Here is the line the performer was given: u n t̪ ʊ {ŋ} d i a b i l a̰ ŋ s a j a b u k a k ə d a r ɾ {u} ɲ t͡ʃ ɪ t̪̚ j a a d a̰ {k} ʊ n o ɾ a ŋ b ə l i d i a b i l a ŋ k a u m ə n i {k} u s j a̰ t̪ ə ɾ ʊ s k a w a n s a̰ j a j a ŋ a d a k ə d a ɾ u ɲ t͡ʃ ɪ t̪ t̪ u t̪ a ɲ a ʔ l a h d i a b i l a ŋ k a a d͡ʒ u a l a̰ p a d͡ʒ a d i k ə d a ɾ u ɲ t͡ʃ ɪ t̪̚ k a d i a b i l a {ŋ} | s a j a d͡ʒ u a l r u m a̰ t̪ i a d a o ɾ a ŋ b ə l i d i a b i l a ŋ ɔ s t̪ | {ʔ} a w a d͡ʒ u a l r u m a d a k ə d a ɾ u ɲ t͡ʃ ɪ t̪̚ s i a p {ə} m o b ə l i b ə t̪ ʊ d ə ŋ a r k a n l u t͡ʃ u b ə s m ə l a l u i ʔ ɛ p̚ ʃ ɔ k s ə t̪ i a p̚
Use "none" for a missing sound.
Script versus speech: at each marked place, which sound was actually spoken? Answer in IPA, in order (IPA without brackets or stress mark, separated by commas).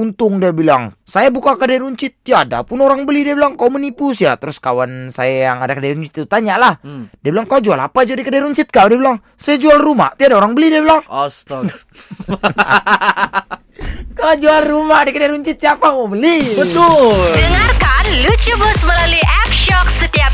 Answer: ŋ, u, p, p, ŋ, k, a